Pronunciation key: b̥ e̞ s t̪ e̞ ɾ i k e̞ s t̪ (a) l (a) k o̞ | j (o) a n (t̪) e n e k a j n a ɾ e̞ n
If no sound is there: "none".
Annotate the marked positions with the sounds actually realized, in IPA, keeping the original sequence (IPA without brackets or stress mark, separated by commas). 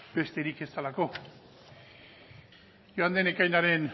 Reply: a, a, o, d̪